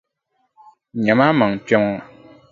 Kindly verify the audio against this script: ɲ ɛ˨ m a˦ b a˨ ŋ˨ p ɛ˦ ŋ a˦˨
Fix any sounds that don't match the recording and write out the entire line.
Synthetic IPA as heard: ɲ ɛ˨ m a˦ m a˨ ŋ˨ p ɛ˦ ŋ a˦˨